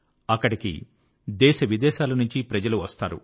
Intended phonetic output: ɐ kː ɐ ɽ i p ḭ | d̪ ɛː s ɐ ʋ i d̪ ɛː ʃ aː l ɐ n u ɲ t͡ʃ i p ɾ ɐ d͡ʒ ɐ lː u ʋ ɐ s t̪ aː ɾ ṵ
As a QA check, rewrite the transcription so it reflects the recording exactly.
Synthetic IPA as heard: ɐ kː ɐ ɽ i k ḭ | d̪ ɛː ʃ ɐ ʋ i d̪ ɛː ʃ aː l ɐ n u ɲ t͡ʃ i p ɾ ɐ d͡ʒ ɐ l u ʋ ɐ s t̪ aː ɾ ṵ